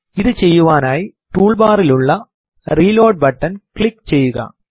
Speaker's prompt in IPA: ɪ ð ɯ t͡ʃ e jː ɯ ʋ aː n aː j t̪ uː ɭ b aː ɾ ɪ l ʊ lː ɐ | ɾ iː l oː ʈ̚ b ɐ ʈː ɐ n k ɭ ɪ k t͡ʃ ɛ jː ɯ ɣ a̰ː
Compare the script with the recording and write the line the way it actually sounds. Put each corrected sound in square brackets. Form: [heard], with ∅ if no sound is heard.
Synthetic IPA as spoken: ɪ ð ɯ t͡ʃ [ɛ] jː ɯ ʋ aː n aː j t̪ uː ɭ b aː ɾ ɪ l ʊ [ɭː] ɐ | ɾ iː l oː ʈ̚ b ɐ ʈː ɐ n k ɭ ɪ k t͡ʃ ɛ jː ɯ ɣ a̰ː